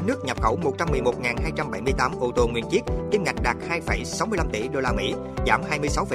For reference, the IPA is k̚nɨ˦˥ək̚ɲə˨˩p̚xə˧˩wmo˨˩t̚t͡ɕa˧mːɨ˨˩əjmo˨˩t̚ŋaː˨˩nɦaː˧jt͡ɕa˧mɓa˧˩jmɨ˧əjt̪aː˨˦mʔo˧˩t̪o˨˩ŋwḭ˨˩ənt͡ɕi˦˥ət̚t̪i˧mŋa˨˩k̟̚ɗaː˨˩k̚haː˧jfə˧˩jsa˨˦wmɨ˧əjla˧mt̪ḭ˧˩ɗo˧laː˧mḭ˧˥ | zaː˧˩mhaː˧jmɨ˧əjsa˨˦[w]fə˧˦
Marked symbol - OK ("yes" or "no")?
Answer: yes